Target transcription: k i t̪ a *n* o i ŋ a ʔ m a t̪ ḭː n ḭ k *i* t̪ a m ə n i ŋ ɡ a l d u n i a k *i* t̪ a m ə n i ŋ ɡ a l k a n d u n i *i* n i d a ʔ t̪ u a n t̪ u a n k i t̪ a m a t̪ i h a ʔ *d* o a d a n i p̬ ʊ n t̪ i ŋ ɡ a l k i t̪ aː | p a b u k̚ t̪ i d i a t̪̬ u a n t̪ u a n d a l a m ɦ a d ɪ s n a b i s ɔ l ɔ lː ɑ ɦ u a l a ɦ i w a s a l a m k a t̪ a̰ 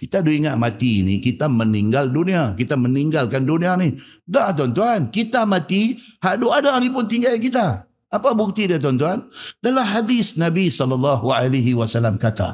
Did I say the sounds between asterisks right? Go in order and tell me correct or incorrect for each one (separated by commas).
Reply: incorrect, correct, correct, incorrect, correct